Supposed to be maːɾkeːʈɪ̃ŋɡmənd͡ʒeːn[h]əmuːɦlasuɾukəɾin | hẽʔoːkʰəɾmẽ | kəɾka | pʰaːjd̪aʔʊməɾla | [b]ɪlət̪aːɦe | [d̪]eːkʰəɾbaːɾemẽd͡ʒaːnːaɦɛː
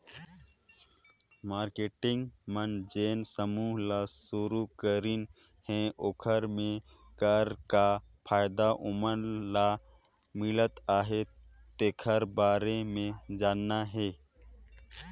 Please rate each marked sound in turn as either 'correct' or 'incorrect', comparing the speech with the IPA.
incorrect: s, incorrect: m, incorrect: t̪

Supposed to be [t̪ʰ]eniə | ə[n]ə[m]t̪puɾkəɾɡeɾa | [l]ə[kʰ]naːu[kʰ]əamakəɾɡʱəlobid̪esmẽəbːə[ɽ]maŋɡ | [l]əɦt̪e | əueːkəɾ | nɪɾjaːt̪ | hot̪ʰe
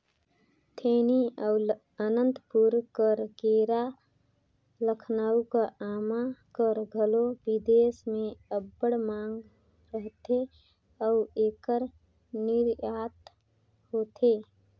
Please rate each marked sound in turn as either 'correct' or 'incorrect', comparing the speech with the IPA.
correct, correct, incorrect: n, correct, correct, incorrect: k, correct, incorrect: ɾ

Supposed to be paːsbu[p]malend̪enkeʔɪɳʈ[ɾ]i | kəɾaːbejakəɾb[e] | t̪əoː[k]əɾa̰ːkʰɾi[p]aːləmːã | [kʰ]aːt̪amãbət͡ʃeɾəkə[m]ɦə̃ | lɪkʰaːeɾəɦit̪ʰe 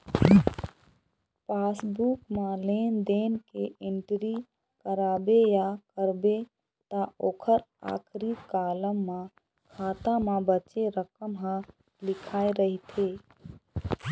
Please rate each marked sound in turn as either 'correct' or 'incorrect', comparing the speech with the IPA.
incorrect: k, correct, correct, incorrect: kʰ, incorrect: k, correct, correct

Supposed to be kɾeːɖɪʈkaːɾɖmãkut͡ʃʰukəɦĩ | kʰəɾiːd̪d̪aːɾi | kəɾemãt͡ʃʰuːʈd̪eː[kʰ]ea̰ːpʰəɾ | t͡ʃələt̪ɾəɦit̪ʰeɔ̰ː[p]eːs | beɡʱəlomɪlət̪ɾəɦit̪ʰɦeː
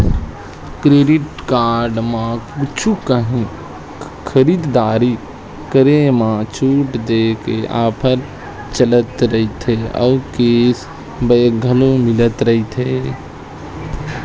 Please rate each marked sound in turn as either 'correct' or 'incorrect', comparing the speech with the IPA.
incorrect: k, incorrect: k

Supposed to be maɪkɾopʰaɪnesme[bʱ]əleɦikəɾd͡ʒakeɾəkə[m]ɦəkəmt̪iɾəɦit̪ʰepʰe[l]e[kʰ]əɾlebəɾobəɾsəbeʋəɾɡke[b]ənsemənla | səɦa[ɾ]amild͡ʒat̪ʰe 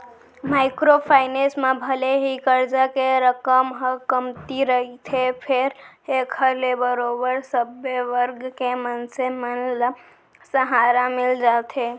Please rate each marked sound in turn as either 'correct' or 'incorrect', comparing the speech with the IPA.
correct, correct, incorrect: ɾ, correct, incorrect: m, correct

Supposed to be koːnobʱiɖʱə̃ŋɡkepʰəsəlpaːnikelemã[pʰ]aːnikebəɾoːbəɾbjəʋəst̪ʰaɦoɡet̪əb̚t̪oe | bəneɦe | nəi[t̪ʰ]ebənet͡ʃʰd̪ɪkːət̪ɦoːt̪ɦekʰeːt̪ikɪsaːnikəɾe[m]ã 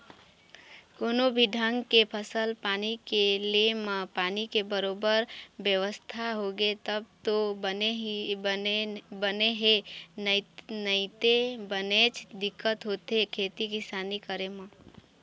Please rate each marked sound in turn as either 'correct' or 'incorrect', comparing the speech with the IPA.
incorrect: p, incorrect: t̪, correct

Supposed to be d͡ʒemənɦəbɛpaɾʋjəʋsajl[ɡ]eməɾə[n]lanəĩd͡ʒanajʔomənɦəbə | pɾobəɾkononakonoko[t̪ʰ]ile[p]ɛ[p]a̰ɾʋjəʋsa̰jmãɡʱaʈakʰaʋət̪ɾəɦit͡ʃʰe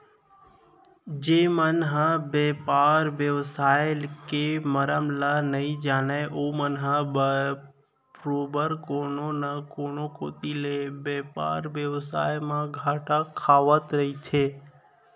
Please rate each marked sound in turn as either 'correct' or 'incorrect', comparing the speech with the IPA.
incorrect: k, incorrect: m, incorrect: t̪, incorrect: b, correct

